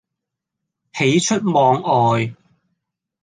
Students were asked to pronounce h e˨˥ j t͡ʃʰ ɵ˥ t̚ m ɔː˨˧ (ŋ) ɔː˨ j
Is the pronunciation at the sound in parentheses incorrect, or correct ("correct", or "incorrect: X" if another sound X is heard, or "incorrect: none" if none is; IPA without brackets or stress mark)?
correct